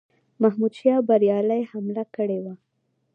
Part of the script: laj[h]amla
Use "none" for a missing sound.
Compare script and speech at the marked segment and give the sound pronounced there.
h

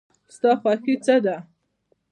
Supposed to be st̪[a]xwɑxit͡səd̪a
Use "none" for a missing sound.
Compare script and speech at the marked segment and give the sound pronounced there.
ɑ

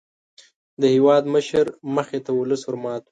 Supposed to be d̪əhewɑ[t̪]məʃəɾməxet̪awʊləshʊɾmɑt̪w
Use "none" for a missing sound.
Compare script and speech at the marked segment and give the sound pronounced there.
d̪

